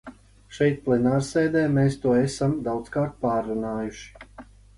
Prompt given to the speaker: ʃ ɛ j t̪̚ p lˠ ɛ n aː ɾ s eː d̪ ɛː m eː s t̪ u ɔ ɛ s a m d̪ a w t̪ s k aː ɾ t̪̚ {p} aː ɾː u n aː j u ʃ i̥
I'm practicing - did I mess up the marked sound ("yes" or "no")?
no